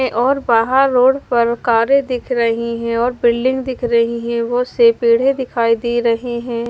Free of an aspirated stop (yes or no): no